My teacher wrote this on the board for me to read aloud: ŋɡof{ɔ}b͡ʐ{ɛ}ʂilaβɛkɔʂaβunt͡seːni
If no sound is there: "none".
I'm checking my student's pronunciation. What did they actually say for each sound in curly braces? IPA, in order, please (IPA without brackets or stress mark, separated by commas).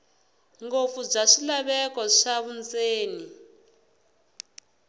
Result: u, a